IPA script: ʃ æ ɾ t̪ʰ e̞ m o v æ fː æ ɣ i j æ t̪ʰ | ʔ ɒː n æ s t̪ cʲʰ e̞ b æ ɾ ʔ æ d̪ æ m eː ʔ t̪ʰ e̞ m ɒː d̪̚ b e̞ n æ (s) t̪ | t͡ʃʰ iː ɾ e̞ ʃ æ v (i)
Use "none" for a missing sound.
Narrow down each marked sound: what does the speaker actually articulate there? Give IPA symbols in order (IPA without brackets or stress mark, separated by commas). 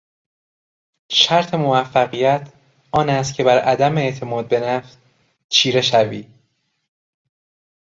f, iː